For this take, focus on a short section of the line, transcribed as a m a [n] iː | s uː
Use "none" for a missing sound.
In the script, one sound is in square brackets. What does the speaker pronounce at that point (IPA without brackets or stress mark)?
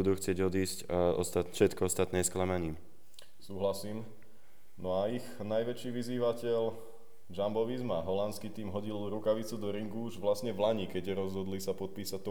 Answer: ɲ